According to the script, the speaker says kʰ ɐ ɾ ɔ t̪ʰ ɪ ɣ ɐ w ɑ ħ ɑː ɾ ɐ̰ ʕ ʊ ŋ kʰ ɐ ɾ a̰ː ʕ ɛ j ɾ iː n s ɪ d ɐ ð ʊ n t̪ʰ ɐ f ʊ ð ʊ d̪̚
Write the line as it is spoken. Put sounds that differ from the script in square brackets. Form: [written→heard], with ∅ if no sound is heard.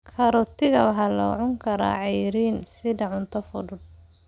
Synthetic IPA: kʰ ɐ ɾ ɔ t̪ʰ ɪ ɣ ɐ w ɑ ħ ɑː [ɾ→l] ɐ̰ ʕ ʊ ŋ kʰ ɐ ɾ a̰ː ʕ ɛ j ɾ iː n s ɪ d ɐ [ð→ʕ] ʊ n t̪ʰ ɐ f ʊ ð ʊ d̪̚